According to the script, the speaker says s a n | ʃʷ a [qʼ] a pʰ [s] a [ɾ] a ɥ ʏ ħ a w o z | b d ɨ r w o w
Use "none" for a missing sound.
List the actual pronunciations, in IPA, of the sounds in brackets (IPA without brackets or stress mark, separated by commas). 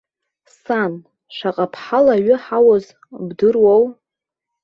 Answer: qʼ, ħ, l